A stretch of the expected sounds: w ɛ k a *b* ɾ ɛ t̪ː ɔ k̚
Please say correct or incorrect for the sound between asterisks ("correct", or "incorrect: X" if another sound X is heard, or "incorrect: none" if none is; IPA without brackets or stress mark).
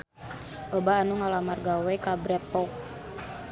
correct